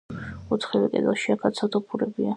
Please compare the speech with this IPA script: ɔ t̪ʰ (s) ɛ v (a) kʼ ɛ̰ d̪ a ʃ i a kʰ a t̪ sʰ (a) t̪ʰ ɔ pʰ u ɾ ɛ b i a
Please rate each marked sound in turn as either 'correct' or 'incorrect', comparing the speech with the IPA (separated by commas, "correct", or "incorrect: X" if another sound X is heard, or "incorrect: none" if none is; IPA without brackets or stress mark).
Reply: incorrect: χ, incorrect: ɛ, correct